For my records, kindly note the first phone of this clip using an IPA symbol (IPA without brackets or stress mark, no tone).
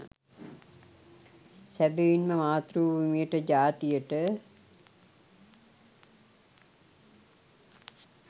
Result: s